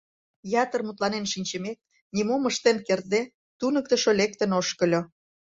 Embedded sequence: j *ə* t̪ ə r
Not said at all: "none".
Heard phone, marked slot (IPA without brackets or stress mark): ɑ